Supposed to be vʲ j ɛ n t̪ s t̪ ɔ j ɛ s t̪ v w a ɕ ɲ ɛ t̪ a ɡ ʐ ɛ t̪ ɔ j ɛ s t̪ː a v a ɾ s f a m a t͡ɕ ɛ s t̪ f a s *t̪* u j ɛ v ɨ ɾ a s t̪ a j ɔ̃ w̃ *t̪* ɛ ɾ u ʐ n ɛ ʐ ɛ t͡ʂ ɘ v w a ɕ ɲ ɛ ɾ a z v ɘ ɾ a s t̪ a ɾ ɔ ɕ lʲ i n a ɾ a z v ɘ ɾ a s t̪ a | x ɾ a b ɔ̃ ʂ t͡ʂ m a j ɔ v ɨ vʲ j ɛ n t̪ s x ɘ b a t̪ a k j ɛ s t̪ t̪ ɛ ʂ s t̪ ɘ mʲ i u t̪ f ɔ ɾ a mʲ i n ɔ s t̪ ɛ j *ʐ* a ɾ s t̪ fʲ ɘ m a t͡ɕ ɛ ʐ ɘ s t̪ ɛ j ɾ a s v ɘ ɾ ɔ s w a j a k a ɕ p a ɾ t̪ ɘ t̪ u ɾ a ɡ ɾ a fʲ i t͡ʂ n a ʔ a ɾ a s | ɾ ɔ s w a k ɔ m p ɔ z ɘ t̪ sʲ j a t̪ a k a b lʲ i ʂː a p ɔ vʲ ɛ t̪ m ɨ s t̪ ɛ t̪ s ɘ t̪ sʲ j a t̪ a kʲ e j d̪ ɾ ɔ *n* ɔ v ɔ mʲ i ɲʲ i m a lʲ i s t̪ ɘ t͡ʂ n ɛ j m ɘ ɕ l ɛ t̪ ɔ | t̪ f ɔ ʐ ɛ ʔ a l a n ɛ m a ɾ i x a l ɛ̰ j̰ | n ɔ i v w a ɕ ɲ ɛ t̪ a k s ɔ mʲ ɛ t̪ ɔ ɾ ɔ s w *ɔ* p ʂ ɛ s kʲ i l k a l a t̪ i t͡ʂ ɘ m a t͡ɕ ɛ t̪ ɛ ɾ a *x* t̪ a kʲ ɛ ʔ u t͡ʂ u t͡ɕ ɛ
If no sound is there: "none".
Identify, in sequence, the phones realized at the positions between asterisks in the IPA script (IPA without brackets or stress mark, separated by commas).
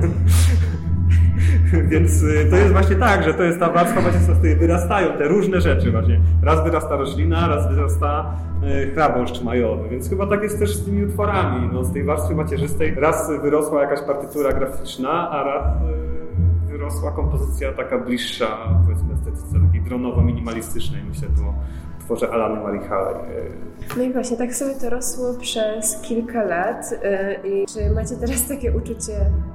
t̪, t̪, v, n, ɔ, s